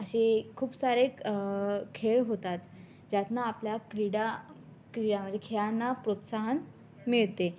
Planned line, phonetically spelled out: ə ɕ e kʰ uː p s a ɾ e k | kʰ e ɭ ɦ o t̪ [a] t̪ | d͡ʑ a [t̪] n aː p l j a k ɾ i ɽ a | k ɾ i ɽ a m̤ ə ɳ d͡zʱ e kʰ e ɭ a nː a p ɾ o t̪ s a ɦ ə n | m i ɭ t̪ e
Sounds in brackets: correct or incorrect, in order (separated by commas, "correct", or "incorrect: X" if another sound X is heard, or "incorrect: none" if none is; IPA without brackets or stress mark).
correct, correct